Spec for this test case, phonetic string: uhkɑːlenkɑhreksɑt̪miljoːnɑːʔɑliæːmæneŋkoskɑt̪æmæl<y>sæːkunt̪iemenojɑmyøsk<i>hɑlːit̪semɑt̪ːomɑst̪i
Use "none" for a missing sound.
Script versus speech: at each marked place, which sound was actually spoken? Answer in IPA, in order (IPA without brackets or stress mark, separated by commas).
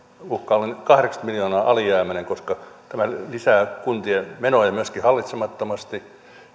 i, i